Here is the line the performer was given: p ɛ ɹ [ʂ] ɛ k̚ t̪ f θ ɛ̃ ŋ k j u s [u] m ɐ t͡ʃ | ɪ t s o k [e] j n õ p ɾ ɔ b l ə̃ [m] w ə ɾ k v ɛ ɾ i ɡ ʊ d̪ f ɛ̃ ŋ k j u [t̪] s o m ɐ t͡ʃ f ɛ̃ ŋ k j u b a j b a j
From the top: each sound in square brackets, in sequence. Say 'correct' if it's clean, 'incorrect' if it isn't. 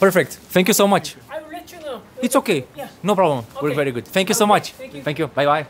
incorrect: f, incorrect: o, correct, correct, incorrect: none

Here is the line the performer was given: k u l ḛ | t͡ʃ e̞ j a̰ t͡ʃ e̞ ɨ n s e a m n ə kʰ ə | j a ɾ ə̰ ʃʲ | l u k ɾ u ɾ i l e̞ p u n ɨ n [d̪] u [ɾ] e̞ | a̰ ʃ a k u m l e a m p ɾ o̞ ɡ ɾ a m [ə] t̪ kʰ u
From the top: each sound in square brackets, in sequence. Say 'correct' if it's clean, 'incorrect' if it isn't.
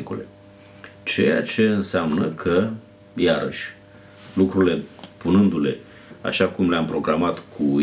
correct, incorrect: l, incorrect: a

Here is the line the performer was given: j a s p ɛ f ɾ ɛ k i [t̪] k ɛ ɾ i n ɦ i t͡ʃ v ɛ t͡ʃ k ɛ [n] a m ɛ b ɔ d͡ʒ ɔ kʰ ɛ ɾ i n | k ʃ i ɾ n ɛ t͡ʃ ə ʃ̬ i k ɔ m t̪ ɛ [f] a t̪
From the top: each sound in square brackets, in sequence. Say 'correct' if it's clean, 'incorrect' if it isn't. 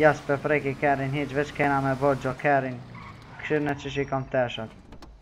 incorrect: none, correct, incorrect: ʃ

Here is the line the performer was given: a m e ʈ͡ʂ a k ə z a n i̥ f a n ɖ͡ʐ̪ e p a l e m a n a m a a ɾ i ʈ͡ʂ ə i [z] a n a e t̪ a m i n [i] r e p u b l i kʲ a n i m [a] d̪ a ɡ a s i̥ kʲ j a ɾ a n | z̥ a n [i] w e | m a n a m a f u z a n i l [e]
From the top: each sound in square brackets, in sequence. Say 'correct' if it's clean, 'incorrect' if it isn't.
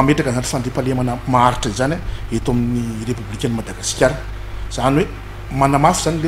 correct, correct, correct, correct, correct

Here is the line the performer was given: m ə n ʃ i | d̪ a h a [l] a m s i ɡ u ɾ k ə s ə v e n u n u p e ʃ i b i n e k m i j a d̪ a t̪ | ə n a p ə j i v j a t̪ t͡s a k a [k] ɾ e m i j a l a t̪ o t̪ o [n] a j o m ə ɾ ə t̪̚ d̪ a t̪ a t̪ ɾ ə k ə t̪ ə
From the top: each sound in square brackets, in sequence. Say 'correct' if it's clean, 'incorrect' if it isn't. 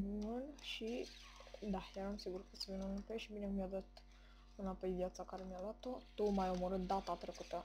incorrect: ɾ, incorrect: none, incorrect: m

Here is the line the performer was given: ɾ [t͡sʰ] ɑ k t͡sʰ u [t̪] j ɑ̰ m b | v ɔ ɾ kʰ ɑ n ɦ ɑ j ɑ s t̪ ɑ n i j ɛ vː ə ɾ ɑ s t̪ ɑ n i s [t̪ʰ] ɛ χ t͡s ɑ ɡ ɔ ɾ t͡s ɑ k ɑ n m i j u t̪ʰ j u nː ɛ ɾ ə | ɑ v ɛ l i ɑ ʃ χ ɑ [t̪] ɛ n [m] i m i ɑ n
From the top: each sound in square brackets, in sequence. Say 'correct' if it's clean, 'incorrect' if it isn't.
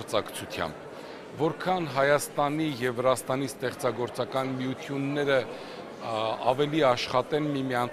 incorrect: t͡s, incorrect: t̪ʰ, incorrect: t̪, correct, correct

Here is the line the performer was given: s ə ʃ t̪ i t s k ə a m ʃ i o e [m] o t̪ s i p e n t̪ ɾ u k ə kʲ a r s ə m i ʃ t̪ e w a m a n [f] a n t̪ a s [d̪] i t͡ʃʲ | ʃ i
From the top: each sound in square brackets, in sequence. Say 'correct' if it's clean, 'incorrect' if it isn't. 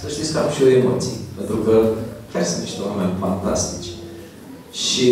correct, correct, incorrect: t̪

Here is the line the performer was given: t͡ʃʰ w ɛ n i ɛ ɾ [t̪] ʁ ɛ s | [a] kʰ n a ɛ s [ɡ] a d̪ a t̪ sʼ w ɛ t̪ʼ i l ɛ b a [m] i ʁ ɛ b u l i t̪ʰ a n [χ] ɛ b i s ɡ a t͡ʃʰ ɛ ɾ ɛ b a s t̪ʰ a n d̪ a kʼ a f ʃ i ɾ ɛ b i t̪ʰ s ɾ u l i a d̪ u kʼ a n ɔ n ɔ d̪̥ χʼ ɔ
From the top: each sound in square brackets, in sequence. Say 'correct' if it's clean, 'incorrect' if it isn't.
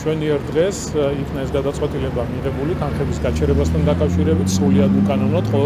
incorrect: d̪, incorrect: i, correct, correct, correct

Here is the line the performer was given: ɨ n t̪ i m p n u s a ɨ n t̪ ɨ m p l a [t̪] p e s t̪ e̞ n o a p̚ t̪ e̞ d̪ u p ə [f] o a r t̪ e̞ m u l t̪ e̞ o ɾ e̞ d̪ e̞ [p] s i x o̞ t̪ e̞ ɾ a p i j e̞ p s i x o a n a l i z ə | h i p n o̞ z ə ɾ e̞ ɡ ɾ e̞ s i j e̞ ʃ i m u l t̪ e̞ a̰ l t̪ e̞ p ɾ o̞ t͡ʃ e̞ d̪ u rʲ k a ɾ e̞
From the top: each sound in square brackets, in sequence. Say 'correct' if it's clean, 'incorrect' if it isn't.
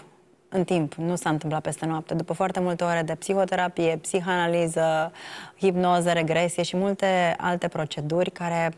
correct, correct, correct

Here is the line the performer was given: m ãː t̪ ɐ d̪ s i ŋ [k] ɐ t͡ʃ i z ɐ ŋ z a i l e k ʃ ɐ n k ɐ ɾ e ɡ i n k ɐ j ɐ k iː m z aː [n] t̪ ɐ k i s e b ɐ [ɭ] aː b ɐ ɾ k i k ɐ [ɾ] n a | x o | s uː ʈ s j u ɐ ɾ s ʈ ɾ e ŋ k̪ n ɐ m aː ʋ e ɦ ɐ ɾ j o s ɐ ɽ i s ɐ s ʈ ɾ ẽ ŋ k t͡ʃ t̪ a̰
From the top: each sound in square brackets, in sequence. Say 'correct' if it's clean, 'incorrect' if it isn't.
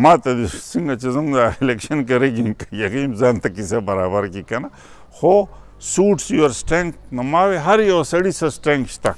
incorrect: ɡ, correct, incorrect: ɾ, incorrect: none

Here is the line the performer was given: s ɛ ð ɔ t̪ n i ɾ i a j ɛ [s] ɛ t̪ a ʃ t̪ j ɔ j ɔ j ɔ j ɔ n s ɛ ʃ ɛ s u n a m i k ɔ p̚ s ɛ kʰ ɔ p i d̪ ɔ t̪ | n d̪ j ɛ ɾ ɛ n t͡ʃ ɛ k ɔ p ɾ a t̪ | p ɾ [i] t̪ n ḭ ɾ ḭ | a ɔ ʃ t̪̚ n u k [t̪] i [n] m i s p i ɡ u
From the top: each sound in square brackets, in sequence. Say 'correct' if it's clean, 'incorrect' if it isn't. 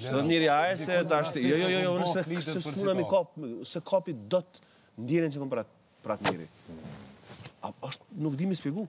correct, incorrect: a, incorrect: d̪, incorrect: none

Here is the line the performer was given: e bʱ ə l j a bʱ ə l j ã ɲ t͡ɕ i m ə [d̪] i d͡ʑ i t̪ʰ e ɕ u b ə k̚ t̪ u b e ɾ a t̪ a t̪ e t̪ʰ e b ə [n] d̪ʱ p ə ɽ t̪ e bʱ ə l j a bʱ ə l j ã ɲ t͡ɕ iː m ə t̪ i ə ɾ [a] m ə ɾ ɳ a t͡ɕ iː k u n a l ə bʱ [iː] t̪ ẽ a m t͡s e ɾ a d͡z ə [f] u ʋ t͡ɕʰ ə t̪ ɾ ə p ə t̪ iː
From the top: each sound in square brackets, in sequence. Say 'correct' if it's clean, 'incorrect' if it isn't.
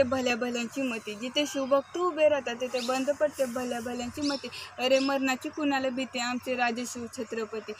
incorrect: t̪, correct, incorrect: e, incorrect: i, incorrect: ɕ

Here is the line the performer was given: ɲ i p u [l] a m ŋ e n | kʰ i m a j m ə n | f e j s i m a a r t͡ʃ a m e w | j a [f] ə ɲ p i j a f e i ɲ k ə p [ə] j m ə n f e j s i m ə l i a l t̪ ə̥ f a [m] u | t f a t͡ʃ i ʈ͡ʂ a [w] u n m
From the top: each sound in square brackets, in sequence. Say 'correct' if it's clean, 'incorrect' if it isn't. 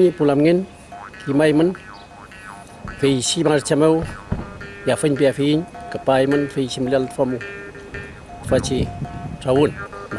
correct, correct, incorrect: a, correct, correct

